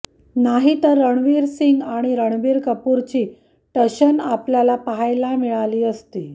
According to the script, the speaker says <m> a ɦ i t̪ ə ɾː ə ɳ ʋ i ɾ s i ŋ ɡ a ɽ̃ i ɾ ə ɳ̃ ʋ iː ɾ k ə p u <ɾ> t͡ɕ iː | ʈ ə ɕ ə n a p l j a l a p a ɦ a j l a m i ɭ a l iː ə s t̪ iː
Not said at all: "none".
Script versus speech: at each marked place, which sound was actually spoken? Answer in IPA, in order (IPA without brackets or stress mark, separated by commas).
n, ɾ